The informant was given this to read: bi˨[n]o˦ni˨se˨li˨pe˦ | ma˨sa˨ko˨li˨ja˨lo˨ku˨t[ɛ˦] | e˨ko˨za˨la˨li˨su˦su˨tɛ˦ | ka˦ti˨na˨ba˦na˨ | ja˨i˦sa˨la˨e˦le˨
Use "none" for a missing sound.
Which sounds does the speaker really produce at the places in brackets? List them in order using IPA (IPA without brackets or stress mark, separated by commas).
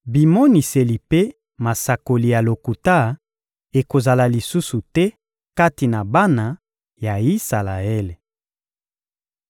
m, a˦